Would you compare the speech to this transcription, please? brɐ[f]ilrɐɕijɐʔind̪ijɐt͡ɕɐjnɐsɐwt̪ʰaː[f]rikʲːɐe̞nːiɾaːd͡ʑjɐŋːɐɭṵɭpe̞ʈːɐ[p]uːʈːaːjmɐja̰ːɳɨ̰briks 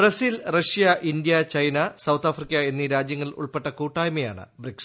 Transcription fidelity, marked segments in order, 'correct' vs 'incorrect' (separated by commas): incorrect, correct, incorrect